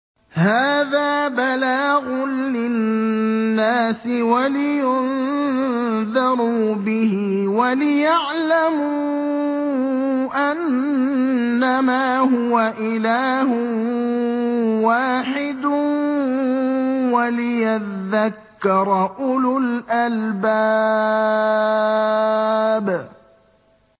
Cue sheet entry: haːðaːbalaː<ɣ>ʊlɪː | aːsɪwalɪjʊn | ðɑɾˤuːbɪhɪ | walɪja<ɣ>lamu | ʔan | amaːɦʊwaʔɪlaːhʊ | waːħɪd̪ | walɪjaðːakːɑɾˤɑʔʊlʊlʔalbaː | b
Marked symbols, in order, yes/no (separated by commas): yes, no